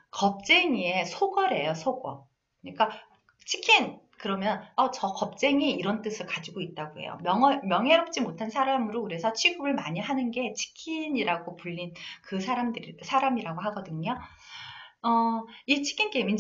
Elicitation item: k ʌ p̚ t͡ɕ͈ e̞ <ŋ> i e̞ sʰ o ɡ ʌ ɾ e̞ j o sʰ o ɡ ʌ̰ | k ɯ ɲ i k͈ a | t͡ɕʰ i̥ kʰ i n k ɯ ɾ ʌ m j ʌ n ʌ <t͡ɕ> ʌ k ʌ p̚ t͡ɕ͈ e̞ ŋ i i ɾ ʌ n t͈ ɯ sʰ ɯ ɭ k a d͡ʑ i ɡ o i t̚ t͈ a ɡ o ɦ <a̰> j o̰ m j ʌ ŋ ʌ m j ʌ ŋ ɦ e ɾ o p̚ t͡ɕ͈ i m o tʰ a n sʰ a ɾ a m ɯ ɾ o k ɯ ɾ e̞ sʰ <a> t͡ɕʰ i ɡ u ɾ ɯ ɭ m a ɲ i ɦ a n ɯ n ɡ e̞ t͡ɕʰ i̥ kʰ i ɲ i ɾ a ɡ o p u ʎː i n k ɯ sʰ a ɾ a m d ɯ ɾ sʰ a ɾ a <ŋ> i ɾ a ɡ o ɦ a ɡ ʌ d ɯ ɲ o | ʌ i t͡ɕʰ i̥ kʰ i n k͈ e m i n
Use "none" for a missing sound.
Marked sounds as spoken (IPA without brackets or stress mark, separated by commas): ŋ, t͡ɕ, ḛ, ʌ, m